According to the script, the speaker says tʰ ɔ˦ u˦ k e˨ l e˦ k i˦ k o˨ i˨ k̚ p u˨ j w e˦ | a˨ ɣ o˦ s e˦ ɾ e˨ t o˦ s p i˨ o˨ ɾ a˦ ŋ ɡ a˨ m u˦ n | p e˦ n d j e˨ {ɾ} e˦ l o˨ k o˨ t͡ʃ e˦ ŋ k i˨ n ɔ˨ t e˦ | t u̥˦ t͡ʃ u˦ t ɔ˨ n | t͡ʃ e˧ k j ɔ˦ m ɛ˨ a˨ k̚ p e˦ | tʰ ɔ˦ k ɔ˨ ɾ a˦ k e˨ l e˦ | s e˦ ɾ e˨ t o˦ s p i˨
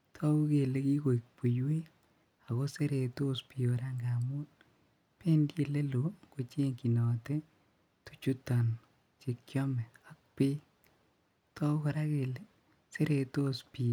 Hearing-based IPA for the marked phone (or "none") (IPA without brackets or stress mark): l